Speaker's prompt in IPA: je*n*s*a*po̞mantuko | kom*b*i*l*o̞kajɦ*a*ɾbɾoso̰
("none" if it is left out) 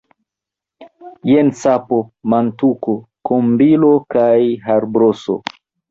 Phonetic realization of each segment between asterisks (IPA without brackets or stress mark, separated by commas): n, a, b, l, a